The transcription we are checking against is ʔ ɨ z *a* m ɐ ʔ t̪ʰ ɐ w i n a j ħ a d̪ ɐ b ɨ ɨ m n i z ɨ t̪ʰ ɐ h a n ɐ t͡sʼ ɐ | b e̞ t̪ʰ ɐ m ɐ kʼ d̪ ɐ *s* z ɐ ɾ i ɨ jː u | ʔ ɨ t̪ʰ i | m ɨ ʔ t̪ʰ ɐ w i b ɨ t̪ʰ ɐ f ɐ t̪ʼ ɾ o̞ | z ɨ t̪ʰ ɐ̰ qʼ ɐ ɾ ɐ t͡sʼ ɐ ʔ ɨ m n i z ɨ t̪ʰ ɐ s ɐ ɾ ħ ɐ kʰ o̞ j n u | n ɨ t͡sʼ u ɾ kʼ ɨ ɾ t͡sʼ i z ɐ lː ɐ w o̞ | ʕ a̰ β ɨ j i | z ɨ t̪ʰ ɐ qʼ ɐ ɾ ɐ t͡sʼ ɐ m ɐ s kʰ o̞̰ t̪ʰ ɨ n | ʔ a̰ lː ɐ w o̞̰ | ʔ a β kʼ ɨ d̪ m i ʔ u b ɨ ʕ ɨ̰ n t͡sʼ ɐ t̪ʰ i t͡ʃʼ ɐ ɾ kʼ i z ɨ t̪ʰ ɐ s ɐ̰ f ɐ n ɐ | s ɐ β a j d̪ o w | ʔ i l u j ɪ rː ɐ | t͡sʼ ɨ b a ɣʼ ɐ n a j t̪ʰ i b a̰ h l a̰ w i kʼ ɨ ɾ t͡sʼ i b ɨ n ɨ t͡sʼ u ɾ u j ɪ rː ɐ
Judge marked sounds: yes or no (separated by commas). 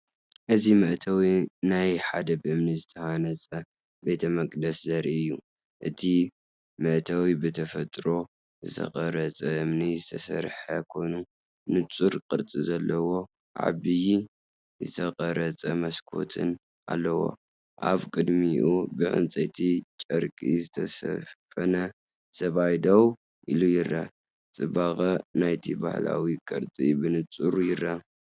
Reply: no, yes